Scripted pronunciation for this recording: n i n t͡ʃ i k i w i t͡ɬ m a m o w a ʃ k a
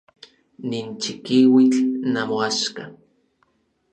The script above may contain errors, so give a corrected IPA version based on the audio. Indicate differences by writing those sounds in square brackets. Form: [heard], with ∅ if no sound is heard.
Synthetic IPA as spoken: n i n t͡ʃ i k i w i t͡ɬ [n] a m o [∅] a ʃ k a